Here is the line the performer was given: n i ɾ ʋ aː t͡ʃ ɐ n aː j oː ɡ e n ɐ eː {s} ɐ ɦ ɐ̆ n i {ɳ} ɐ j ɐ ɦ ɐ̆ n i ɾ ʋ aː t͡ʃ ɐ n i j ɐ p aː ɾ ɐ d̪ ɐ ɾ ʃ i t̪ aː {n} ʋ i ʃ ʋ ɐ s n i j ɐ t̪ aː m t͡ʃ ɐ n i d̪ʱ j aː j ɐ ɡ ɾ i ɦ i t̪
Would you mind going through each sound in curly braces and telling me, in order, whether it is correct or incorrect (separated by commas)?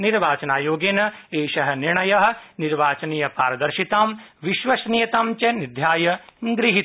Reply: incorrect, correct, incorrect